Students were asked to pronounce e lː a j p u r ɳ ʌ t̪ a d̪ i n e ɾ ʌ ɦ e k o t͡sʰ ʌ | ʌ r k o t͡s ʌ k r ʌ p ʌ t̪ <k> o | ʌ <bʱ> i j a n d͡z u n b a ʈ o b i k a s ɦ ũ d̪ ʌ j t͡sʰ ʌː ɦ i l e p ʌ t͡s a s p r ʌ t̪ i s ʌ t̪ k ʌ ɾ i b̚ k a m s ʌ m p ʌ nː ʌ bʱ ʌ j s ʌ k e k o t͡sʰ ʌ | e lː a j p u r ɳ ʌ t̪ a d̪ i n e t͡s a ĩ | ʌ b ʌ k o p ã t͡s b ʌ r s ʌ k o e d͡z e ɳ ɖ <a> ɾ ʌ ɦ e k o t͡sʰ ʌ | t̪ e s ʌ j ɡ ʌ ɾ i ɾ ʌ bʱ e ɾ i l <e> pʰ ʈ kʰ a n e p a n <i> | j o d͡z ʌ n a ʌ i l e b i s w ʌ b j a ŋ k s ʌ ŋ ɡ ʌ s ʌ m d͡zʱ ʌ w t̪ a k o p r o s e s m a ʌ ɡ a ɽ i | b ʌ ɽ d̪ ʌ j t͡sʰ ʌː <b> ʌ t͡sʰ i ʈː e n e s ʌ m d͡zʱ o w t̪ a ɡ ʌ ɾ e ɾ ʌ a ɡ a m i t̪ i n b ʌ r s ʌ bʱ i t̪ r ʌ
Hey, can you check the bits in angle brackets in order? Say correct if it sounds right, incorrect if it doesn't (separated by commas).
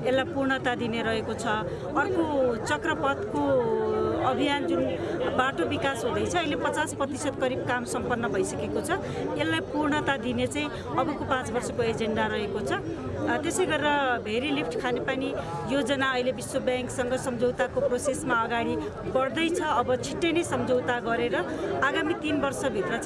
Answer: correct, correct, correct, incorrect, correct, correct